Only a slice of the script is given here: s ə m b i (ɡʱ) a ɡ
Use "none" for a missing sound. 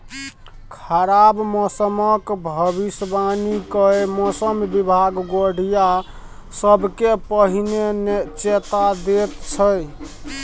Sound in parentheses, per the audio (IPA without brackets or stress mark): bʱ